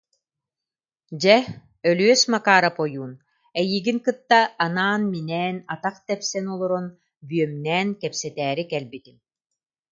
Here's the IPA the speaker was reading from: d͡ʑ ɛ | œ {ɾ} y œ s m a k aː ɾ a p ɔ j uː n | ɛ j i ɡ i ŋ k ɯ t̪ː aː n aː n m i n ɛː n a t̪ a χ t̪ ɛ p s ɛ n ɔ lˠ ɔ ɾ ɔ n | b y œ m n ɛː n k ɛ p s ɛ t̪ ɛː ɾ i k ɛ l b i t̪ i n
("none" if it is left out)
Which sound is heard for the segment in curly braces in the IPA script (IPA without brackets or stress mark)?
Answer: l